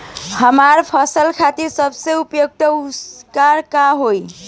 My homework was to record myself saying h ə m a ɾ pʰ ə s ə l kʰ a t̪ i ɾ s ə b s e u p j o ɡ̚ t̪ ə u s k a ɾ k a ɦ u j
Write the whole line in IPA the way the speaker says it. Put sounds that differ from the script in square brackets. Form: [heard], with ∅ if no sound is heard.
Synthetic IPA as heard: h ə m a ɾ pʰ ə s ə l kʰ a t̪ i ɾ s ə b s e u p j o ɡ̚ t̪ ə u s k a ɾ k a ɦ [o] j